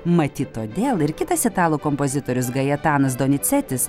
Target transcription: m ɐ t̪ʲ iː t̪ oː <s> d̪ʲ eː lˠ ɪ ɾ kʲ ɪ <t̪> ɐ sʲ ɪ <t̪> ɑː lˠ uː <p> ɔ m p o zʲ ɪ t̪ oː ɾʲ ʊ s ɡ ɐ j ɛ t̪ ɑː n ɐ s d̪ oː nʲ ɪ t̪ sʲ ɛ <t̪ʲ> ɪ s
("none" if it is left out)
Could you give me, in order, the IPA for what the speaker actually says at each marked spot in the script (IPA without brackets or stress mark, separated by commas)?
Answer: none, t̪, t̪, k, t̪ʲ